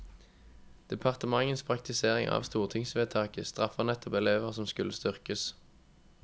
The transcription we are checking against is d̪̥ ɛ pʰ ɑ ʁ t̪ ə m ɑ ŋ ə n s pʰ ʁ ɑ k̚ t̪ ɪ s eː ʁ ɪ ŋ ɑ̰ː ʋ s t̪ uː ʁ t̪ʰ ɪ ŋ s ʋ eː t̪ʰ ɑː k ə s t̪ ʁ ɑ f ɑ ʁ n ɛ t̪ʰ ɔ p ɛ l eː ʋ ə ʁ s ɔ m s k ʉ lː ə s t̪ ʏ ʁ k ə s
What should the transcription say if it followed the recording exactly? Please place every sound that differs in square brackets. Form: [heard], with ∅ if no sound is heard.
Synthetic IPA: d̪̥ ɛ pʰ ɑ ʁ t̪ ə m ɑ ŋ ə n s pʰ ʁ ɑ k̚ t̪ ɪ s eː ʁ ɪ ŋ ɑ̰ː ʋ s t̪ uː ʁ t̪ʰ ɪ ŋ s ʋ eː t̪ʰ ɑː k ə s t̪ ʁ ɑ f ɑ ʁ n ɛ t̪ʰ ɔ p ɛ l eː ʋ ə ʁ s ɔ m s k ʉ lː ə s t̪ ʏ ʁ k ə s